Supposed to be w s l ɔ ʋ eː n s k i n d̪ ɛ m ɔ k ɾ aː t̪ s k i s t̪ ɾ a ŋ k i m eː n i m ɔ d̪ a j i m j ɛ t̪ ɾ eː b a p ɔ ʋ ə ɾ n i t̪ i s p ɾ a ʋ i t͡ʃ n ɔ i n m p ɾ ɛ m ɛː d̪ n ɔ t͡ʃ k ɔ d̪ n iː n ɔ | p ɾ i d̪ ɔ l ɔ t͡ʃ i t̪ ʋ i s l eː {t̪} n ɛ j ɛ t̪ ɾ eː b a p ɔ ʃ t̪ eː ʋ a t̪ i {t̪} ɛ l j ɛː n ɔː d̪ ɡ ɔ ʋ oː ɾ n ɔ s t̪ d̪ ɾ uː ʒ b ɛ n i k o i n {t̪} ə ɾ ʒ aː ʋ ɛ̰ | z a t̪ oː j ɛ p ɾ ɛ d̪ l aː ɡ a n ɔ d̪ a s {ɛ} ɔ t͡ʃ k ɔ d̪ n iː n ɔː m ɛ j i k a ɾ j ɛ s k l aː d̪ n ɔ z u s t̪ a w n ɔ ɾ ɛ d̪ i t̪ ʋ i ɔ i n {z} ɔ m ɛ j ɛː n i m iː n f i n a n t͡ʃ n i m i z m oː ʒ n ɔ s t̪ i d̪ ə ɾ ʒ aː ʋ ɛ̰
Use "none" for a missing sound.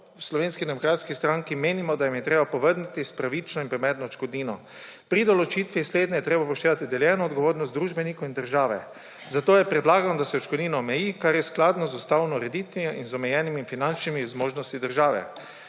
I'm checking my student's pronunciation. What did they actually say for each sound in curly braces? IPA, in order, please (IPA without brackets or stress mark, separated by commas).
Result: d̪, d̪, d̪, ɛ, z